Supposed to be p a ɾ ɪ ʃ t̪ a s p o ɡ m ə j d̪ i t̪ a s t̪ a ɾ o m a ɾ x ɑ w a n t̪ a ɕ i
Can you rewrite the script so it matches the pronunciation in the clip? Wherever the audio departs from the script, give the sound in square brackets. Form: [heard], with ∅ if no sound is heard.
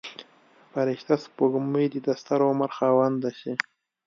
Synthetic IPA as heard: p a ɾ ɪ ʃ t̪ a s p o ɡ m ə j d̪ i [d̪] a s t̪ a ɾ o m a ɾ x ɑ w a n [d̪] a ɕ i